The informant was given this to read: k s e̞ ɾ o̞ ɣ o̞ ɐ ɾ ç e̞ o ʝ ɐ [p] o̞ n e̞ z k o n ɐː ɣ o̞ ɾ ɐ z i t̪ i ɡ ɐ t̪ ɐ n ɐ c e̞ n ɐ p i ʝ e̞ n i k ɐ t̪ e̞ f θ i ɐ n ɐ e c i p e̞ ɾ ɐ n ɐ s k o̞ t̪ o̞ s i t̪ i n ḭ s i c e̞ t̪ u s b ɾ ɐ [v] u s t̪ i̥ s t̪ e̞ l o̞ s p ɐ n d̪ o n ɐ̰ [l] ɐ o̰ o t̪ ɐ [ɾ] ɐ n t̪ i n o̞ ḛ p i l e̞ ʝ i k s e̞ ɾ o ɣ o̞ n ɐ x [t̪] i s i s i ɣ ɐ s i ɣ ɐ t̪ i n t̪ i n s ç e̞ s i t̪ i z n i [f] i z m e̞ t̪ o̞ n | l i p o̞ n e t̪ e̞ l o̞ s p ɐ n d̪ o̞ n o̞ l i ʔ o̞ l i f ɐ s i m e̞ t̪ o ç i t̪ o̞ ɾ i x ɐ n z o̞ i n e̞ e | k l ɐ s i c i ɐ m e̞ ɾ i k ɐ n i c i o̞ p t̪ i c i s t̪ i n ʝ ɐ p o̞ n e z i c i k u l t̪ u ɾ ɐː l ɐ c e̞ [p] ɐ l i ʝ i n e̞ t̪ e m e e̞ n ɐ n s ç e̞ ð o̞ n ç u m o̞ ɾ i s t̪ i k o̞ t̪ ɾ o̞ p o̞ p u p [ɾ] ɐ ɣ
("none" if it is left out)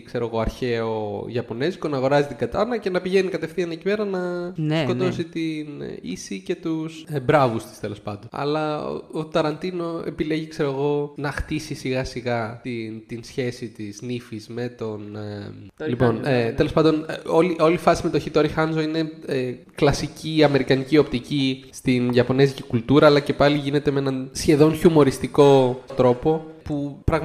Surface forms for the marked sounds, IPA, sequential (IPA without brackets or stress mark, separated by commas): p, v, l, ɾ, t̪, f, p, ɾ